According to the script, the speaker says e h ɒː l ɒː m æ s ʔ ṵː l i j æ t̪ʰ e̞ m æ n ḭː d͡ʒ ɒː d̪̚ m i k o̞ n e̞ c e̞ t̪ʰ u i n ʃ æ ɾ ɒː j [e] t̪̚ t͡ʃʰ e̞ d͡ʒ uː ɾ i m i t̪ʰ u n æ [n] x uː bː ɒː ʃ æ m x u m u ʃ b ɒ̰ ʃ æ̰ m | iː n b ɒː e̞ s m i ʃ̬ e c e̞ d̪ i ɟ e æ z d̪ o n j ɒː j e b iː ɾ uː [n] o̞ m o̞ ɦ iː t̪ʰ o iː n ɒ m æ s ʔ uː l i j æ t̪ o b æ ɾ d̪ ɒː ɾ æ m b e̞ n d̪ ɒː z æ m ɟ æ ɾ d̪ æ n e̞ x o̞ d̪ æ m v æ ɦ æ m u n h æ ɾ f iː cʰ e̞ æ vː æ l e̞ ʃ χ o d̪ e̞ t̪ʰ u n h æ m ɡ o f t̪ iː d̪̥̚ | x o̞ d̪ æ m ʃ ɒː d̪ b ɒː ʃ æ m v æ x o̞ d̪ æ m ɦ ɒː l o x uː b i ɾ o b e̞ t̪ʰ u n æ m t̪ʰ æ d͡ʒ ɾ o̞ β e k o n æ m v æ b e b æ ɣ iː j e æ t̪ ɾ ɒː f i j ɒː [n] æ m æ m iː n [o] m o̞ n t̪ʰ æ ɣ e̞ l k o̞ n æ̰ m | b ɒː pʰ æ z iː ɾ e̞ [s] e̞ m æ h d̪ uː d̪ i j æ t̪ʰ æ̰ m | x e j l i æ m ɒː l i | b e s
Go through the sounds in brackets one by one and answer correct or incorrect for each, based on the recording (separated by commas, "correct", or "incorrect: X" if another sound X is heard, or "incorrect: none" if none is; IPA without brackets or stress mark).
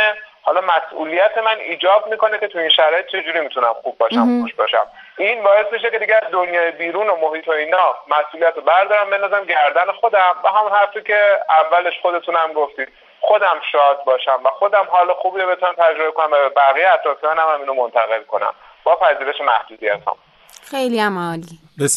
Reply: correct, incorrect: m, correct, correct, correct, incorrect: ʃ